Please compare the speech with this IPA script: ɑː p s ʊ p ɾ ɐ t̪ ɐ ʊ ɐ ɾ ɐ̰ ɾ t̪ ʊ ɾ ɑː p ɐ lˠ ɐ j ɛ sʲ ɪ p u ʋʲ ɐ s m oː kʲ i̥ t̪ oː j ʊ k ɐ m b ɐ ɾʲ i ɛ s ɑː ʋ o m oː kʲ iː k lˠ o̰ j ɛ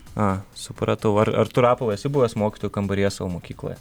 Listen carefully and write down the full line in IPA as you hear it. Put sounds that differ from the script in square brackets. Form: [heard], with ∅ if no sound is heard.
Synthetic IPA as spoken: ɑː [∅] s ʊ p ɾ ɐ t̪ ɐ ʊ ɐ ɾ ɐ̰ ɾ t̪ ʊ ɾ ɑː p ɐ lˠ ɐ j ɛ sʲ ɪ [b] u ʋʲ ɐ s m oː kʲ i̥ t̪ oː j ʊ k ɐ m b ɐ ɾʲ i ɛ s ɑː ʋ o m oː kʲ iː k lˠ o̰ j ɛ